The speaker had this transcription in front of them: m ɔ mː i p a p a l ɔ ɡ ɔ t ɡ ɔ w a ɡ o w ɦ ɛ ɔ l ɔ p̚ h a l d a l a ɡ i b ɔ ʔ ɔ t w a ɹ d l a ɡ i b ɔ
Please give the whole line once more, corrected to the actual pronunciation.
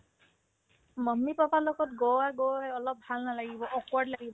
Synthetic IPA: m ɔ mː i p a p a l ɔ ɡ ɔ t ɡ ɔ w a ɡ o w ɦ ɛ ɔ l ɔ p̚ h a l n a l a ɡ i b ɔ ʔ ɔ k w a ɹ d l a ɡ i b ɔ